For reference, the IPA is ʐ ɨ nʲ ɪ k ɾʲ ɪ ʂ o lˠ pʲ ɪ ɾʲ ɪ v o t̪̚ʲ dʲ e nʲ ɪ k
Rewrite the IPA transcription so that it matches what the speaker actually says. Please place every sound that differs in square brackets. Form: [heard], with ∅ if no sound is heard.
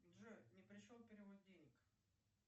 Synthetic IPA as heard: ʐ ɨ nʲ ɪ [p] ɾʲ ɪ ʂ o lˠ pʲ ɪ ɾʲ ɪ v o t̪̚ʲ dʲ e nʲ ɪ k